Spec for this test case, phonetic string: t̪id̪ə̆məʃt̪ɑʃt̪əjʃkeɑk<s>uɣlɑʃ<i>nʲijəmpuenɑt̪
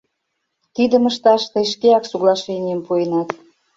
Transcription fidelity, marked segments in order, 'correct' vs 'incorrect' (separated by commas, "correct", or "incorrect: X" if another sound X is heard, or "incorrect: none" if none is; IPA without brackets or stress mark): correct, incorrect: e